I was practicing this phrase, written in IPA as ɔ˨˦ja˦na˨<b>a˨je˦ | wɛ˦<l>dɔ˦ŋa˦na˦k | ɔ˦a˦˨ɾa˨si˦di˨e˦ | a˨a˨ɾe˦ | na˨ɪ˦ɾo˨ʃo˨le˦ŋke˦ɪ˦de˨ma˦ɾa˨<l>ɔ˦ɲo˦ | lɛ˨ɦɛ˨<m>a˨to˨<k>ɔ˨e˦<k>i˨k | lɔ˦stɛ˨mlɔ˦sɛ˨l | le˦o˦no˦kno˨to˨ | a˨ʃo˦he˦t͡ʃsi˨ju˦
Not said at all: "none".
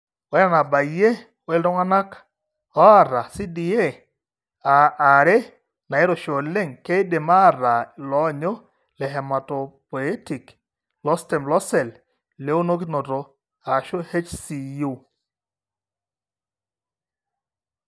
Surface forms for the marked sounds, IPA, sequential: b, l, l, m, p, t

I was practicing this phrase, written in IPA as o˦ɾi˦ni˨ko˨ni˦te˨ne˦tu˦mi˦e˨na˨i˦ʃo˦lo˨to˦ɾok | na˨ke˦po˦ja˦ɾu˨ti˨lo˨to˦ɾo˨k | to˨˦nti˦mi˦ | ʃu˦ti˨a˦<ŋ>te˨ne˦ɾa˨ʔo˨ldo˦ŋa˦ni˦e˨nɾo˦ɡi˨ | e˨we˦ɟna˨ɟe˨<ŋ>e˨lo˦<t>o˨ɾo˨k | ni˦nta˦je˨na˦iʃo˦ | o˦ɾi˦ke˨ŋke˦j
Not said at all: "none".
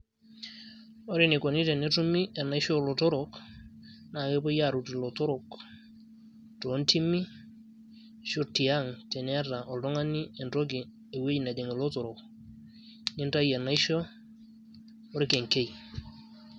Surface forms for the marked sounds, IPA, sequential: ŋ, ŋ, t

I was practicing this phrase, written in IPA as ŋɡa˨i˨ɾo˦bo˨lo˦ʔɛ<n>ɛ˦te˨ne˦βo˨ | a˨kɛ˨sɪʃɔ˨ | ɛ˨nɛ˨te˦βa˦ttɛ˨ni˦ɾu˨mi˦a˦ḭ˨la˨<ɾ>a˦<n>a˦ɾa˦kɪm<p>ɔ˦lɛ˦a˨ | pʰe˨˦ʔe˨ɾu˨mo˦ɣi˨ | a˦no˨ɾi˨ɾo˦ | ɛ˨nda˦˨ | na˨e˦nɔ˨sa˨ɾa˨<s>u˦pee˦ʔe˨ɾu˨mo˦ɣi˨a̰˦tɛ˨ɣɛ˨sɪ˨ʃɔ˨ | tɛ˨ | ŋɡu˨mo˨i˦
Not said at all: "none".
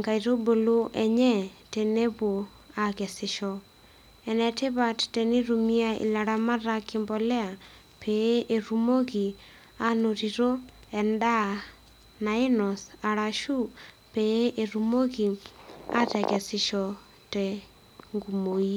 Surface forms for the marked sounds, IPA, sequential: ɲ, ɾ, m, b, ʃ

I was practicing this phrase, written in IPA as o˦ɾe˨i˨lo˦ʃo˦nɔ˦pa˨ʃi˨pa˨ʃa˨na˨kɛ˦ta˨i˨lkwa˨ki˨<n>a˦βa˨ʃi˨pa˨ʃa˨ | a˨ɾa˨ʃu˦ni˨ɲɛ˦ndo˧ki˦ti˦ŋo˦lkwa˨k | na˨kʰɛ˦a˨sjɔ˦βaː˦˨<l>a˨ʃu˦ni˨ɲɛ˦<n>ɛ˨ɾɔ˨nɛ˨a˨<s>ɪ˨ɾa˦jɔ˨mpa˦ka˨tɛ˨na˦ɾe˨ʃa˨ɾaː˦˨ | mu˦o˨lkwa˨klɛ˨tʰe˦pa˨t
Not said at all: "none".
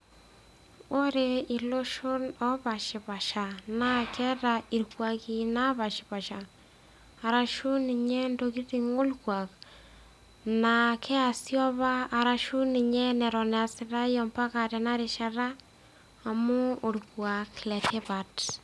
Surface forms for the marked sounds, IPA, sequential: n, ɾ, n, s

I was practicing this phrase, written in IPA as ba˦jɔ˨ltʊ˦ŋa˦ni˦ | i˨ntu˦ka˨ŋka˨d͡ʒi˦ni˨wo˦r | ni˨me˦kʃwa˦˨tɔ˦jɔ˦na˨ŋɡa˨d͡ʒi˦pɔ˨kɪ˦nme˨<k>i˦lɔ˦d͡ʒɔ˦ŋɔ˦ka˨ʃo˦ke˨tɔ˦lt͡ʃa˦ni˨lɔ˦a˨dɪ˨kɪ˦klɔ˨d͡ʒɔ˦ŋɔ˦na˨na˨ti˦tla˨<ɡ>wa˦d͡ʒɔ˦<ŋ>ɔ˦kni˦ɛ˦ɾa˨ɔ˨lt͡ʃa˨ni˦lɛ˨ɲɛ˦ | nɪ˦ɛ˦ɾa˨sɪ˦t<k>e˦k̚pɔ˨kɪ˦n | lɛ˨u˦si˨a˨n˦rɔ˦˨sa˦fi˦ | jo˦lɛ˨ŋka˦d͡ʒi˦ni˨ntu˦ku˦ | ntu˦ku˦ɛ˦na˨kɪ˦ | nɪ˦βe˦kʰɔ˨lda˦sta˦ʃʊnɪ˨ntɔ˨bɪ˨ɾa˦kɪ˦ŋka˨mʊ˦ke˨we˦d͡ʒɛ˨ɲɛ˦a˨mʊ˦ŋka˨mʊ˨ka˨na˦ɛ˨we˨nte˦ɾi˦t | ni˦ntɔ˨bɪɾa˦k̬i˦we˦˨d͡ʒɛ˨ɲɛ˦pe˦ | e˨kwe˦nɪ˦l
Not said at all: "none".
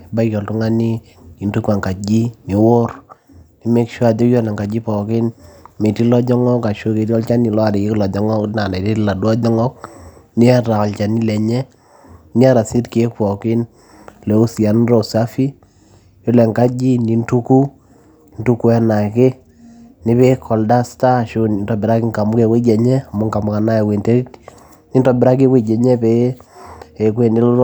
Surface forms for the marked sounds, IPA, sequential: t, d, ŋ, k

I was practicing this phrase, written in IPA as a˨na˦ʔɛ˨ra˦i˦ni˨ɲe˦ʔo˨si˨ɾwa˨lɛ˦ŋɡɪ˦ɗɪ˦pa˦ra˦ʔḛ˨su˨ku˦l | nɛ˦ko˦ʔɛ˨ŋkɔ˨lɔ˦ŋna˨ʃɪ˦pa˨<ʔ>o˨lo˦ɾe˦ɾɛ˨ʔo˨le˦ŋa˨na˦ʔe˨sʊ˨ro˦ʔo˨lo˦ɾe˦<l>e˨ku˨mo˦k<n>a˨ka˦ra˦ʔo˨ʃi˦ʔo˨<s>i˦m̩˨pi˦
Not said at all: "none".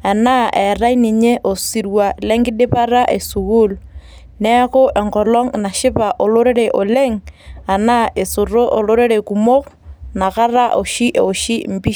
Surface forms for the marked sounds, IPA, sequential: ʔ, ɾ, n, ʃ

